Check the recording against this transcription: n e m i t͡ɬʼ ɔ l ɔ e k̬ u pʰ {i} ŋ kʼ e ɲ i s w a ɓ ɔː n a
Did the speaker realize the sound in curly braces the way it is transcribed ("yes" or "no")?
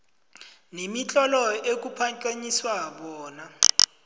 no